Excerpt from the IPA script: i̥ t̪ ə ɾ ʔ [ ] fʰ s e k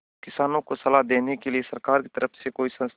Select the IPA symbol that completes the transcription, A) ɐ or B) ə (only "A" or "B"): B